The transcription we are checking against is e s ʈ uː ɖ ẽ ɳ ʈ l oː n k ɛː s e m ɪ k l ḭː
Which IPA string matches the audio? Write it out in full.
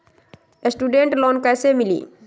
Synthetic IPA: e s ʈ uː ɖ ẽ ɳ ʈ l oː n k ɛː s e m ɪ l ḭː

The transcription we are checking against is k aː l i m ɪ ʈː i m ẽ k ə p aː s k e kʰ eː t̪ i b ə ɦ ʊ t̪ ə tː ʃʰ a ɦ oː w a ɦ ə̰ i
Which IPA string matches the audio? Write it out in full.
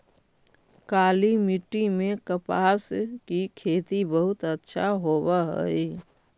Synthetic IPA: k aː l i m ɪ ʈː i m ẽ k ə p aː s k i kʰ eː t̪ i b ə ɦ ʊ t̪ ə tː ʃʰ a ɦ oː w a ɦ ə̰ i

